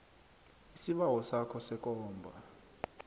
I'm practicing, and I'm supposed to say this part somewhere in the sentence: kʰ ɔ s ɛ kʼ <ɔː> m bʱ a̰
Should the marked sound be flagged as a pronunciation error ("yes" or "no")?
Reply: no